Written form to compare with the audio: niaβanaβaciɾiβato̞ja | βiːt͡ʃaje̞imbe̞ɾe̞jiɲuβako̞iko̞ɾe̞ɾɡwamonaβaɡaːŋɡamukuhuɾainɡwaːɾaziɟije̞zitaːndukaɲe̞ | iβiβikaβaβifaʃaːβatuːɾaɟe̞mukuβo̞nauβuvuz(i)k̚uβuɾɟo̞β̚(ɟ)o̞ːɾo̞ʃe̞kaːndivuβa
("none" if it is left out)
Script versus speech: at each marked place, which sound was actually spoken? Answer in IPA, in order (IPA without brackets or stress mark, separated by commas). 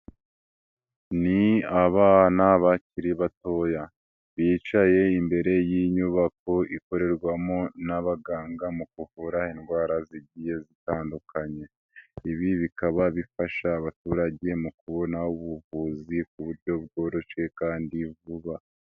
i, ɡ